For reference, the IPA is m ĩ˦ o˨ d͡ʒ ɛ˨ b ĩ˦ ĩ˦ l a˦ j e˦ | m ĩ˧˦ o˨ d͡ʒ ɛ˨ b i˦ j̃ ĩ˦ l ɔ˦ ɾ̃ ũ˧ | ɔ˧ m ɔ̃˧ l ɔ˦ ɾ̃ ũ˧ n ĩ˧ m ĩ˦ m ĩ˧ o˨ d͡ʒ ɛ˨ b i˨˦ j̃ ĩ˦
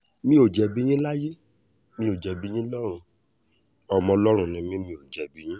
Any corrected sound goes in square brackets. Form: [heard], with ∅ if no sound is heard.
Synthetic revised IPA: m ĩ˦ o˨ d͡ʒ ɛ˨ b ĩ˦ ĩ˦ l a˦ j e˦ | m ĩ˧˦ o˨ d͡ʒ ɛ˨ b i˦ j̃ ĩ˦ l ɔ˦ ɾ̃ ũ˧ | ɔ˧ m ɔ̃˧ l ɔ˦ ɾ̃ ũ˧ n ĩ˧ m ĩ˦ m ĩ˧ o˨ d͡ʒ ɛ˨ b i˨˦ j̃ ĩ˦